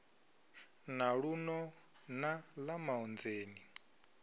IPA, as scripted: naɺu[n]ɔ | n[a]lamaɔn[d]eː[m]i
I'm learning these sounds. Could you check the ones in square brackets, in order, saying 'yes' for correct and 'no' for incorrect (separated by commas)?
yes, yes, no, no